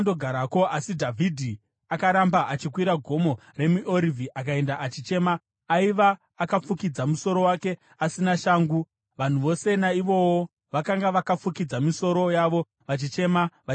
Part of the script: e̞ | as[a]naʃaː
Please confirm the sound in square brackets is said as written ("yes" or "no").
no